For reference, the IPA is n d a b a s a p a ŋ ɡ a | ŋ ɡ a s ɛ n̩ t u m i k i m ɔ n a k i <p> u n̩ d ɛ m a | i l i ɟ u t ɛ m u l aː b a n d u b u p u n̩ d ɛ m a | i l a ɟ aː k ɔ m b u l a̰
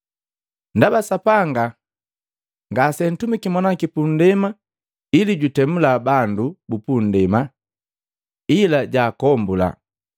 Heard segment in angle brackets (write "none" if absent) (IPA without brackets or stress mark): p